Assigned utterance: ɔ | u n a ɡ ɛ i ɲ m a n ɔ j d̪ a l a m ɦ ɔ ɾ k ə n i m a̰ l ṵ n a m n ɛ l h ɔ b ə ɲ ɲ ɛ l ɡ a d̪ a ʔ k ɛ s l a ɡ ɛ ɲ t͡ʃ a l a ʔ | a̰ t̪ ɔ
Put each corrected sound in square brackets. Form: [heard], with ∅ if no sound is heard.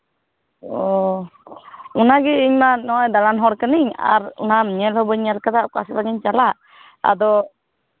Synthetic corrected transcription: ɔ | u n a ɡ ɛ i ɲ m a n ɔ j d̪ a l a [n] ɦ ɔ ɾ k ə n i [ɲ] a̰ [ɾ] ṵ n a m [ɲ] ɛ l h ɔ b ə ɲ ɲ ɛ l [k] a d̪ a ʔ k [a] s l a ɡ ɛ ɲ t͡ʃ a l a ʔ | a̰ [d̪] ɔ